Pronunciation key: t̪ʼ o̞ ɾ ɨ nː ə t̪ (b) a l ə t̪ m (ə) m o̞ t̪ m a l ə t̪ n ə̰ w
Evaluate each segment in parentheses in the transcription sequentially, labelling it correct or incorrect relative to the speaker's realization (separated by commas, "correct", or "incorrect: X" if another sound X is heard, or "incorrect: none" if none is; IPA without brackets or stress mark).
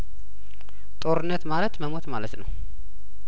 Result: incorrect: m, correct